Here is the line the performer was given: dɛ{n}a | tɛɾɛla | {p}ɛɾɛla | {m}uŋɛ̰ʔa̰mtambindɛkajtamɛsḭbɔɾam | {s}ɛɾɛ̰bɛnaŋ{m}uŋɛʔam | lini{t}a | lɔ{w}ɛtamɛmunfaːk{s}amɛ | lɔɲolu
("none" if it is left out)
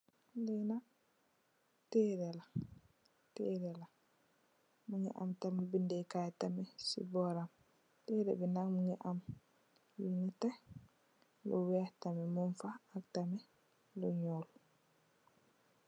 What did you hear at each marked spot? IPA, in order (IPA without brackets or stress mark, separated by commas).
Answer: n, t, m, t, m, t, w, t